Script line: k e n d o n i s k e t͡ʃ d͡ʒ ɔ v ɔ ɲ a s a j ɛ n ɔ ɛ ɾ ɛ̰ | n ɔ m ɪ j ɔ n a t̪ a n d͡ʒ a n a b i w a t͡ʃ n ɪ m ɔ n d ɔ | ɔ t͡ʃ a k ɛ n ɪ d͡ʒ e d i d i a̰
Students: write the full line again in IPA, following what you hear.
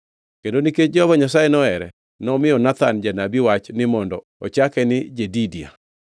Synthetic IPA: k e n d o n i k e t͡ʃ d͡ʒ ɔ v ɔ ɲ a s a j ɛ n ɔ ɛ ɾ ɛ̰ | n ɔ m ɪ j ɔ n a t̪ a n d͡ʒ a n a b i w a t͡ʃ n ɪ m ɔ n d ɔ | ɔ t͡ʃ a k ɛ n ɪ d͡ʒ e d i d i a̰

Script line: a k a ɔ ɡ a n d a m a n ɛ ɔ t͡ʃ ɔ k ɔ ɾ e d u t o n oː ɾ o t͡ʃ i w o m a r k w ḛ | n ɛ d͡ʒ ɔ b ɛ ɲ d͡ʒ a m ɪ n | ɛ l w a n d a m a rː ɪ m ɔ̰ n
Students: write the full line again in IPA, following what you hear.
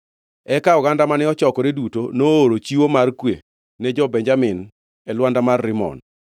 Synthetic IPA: ɛ k a ɔ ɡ a n d a m a n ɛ ɔ t͡ʃ ɔ k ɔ ɾ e d u t o n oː ɾ o t͡ʃ i w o m a r k w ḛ | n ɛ d͡ʒ ɔ b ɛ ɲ d͡ʒ a m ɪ n | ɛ l w a n d a m a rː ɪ m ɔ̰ n

